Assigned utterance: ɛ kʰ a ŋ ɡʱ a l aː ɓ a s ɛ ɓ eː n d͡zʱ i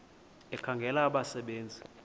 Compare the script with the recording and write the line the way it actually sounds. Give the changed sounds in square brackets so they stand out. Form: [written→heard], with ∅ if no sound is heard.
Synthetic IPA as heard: ɛ kʰ a ŋ ɡʱ [a→ɛ] l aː ɓ a s ɛ ɓ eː n d͡zʱ i